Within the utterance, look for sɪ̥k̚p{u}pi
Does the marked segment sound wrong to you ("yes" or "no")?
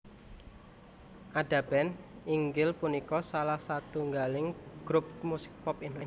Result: yes